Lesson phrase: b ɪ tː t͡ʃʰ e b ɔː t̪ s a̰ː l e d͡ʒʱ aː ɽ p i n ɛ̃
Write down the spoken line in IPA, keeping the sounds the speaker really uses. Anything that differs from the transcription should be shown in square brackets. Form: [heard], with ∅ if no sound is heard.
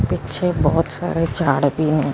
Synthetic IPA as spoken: [p] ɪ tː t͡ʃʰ e b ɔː t̪ s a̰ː [ɾ] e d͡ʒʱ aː ɽ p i n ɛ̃